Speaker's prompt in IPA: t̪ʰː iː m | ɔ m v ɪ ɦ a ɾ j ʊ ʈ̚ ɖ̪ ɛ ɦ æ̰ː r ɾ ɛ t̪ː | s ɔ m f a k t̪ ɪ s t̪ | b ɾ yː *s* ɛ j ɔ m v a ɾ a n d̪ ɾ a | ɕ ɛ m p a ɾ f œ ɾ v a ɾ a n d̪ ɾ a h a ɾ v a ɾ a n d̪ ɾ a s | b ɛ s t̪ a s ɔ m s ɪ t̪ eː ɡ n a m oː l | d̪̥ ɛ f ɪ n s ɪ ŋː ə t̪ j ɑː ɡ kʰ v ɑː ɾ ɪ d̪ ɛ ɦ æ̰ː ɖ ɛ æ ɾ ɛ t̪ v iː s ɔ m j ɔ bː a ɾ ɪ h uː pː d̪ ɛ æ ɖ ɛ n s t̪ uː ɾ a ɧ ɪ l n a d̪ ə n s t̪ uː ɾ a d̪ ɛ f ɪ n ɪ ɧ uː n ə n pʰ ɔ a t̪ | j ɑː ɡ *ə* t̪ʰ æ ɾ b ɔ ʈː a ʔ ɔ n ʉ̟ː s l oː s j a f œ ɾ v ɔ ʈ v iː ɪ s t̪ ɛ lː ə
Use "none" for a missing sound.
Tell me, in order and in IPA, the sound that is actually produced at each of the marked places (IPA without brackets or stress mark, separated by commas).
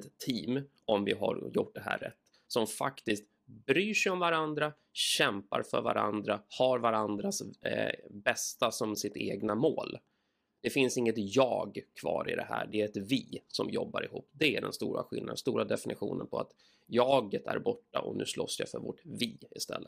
ʂ, ə